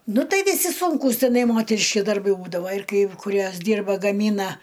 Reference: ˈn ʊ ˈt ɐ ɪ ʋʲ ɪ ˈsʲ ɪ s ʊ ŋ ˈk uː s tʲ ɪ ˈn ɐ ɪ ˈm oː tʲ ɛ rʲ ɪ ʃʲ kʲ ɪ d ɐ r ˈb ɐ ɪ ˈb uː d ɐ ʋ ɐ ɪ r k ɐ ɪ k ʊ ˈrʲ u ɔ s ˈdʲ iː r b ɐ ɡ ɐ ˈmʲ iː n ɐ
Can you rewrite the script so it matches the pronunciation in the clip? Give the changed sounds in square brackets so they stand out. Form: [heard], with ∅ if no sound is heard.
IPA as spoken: ˈn ʊ ˈt ɐ ɪ ʋʲ ɪ ˈsʲ ɪ s ʊ ŋ ˈk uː s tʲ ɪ ˈn ɐ ɪ ˈm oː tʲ ɛ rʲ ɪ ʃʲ kʲ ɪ d ɐ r ˈb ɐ ɪ ˈb uː d ɐ ʋ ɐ ɪ r k ɐ ɪ k ʊ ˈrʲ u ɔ s ˈdʲ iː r b ɐ ɡ ɐ ˈmʲ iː n ɐ